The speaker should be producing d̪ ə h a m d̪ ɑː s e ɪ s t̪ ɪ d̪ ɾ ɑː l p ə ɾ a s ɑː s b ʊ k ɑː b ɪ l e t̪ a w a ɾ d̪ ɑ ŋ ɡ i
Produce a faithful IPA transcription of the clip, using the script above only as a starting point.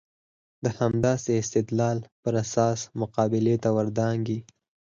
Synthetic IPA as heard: d̪ ə h a m d̪ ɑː s e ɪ s t̪ ɪ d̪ l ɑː l p ə ɾ a s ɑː s m ʊ q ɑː b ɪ l e t̪ a w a ɾ d̪ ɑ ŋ ɡ i